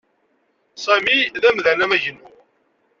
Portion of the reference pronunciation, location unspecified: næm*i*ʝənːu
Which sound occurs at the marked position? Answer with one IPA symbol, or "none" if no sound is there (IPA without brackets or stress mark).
æ